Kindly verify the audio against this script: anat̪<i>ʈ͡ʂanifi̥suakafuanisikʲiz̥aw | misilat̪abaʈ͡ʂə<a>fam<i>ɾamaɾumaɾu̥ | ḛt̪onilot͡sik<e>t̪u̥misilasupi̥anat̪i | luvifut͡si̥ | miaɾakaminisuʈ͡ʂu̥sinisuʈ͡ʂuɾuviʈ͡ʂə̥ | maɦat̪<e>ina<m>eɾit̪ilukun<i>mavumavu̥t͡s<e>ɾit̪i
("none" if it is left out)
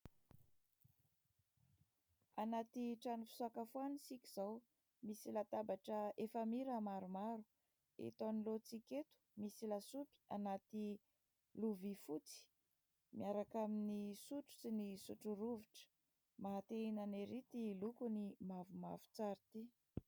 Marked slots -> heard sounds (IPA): i, e, i, e, e, n, i, a

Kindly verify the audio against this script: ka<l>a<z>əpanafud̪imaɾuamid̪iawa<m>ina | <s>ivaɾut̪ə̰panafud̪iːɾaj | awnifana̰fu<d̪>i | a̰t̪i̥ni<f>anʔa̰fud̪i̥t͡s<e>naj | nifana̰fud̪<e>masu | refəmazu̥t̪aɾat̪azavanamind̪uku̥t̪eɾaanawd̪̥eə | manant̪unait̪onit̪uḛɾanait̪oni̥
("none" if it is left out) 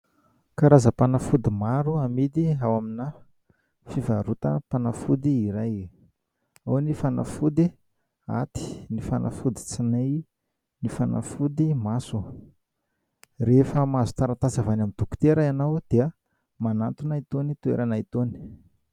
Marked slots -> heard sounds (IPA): ɾ, z, m, f, d̪, f, i, i

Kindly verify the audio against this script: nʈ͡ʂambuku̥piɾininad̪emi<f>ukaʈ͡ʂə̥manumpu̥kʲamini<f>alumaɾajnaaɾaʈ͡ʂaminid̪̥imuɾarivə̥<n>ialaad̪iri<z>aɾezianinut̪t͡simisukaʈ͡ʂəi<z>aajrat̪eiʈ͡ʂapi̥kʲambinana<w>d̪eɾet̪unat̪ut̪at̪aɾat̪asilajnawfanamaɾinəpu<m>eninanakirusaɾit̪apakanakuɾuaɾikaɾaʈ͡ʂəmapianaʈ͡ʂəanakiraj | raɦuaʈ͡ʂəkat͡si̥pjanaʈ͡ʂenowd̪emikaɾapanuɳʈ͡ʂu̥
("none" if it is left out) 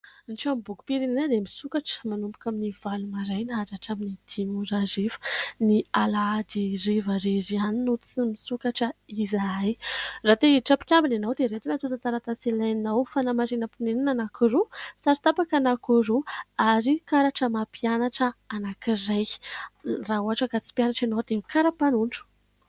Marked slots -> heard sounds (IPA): s, v, n, v, z, w, n

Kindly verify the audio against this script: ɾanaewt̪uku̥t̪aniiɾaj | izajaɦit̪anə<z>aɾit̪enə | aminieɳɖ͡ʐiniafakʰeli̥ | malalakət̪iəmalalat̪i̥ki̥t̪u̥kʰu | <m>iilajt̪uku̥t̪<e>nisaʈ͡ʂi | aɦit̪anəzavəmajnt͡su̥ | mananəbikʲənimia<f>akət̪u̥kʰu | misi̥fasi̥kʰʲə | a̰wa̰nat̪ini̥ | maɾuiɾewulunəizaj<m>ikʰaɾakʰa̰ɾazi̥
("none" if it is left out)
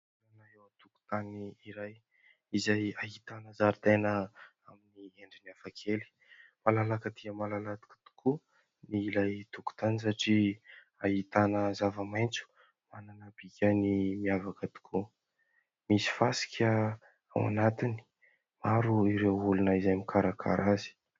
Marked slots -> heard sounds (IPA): z, n, a, v, m

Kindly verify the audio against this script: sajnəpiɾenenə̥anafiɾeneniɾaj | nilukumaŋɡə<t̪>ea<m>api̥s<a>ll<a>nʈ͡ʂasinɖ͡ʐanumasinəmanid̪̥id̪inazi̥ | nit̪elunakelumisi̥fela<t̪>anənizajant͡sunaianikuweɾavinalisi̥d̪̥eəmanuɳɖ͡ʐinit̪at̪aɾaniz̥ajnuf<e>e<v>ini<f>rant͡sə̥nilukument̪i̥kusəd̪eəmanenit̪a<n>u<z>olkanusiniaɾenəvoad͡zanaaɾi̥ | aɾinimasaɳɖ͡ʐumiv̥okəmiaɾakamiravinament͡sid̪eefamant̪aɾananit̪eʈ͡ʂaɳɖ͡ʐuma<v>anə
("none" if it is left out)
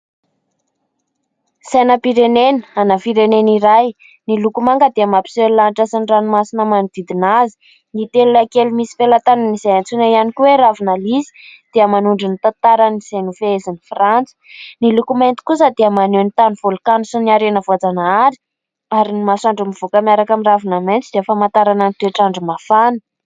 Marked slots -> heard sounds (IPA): d̪, m, e, a, t̪, e, z, f, n, v, f

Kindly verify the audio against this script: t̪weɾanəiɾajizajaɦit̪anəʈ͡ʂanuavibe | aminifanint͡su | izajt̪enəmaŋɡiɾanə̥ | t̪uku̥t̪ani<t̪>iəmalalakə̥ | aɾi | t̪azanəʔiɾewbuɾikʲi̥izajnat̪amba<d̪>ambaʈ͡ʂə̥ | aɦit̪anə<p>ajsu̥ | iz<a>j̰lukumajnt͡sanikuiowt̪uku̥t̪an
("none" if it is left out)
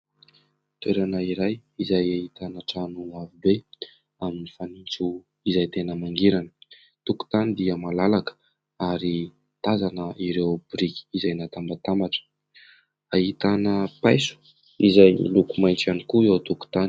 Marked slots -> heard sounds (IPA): d̪, t̪, p, a

